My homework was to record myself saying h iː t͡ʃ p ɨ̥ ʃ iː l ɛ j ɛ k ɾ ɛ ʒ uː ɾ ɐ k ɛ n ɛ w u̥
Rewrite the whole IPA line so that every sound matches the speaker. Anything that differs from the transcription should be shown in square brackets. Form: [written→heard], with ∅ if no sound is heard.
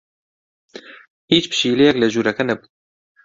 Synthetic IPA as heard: h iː t͡ʃ p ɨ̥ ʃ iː l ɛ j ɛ k [ɾ→l] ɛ ʒ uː ɾ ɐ k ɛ n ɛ [w→b] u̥